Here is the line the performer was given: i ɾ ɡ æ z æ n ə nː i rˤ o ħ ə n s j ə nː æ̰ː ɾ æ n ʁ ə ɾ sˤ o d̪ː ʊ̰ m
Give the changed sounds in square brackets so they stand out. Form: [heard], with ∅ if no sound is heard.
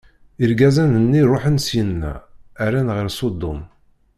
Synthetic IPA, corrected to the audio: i ɾ ɡ æ z æ n ə nː i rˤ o ħ ə n s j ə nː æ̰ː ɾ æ n ʁ ə ɾ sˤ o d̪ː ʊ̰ m